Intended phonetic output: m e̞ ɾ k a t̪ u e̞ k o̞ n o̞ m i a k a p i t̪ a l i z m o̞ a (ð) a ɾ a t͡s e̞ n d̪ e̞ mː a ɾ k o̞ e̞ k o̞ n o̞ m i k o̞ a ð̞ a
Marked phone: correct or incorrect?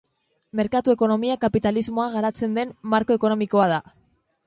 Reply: incorrect: ɣ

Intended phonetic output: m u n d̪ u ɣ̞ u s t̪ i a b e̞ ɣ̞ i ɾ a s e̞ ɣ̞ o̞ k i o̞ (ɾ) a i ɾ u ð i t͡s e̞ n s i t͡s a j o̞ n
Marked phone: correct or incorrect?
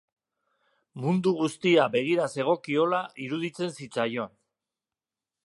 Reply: incorrect: l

